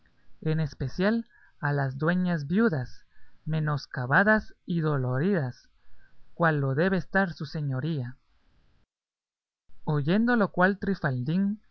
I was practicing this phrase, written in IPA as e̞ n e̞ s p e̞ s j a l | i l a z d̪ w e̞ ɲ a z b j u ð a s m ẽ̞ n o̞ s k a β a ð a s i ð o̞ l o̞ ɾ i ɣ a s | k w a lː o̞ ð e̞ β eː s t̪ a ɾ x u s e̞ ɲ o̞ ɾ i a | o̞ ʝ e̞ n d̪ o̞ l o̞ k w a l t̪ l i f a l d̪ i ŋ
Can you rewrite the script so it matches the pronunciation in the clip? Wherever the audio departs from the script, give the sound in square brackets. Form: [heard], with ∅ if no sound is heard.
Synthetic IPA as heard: e̞ n e̞ s p e̞ s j a l | [a] l a z d̪ w e̞ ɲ a z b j u ð a s m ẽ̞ n o̞ s k a β a ð a s i ð o̞ l o̞ ɾ i [ð] a s | k w a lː o̞ ð e̞ β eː s t̪ a ɾ [s] u s e̞ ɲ o̞ ɾ i a | o̞ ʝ e̞ n d̪ o̞ l o̞ k w a l t̪ [ɾ] i f a l d̪ i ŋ

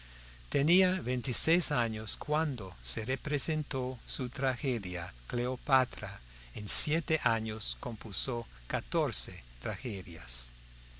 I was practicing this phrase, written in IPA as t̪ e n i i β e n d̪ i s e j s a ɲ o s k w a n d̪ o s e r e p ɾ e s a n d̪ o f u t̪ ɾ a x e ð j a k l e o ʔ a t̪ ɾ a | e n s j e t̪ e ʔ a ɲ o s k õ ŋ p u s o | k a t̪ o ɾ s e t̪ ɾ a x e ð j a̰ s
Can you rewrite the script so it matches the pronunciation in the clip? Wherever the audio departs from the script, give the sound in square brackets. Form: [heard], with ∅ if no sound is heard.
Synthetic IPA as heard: t̪ e n i [a] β e n [t̪] i s e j s a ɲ o s k w a n d̪ o s e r e p ɾ e s [e] n [t̪] o [s] u t̪ ɾ a x e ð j a k l e o [p] a t̪ ɾ a | e n s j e t̪ e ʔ a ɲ o s k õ [m] p u s o | k a t̪ o ɾ s e t̪ ɾ a x e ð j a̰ s

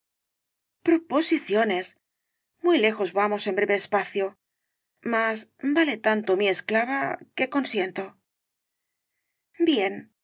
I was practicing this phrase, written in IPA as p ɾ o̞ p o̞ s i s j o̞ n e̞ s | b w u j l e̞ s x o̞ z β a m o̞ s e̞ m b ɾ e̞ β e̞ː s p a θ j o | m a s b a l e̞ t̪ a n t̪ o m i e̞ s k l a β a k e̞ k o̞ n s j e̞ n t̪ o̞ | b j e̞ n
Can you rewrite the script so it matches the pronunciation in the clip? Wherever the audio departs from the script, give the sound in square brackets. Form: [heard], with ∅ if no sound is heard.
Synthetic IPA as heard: p ɾ o̞ p o̞ s i [θ] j o̞ n e̞ s | [m] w u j l e̞ [∅] x o̞ z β a m o̞ s e̞ m b ɾ e̞ β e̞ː s p a θ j o | m a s b a l e̞ t̪ a n t̪ o m i e̞ s k l a β a k e̞ k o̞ n s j e̞ n t̪ o̞ | b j e̞ n

